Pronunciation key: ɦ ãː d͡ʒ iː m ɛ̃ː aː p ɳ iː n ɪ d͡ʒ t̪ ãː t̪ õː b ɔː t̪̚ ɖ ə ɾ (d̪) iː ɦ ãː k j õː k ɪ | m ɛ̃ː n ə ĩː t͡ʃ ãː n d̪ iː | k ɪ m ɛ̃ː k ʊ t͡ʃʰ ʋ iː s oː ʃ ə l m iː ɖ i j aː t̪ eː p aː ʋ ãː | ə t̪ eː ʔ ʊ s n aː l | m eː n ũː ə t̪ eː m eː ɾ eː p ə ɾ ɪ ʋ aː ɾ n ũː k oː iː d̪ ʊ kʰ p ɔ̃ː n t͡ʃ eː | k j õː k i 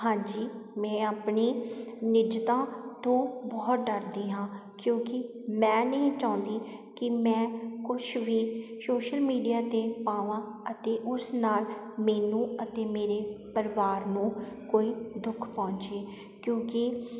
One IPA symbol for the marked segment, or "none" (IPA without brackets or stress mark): d̪